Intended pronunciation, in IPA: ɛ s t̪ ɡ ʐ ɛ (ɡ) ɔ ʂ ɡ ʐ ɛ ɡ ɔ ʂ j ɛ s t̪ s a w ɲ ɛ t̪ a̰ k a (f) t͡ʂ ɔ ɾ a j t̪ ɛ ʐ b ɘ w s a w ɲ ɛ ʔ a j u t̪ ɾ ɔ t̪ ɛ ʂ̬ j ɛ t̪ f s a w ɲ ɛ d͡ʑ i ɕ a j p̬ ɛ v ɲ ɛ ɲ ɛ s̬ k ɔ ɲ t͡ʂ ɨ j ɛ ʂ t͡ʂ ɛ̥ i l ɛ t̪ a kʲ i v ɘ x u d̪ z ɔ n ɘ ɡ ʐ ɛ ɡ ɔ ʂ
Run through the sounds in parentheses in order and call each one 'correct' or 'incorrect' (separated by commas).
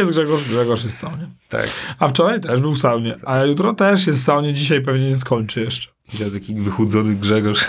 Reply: correct, correct